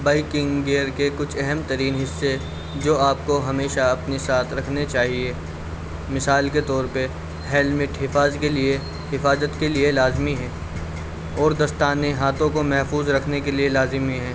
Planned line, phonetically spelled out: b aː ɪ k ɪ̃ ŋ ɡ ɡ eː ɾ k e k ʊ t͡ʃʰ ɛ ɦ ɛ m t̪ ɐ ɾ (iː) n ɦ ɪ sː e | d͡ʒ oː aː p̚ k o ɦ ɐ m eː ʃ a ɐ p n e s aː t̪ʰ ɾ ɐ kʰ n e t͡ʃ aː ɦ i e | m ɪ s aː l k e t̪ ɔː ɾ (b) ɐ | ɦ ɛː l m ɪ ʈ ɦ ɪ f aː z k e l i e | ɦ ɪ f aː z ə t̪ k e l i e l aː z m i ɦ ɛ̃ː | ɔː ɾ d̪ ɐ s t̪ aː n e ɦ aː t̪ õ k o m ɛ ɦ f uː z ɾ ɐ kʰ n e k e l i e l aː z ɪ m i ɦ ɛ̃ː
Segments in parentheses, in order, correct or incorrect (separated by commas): correct, incorrect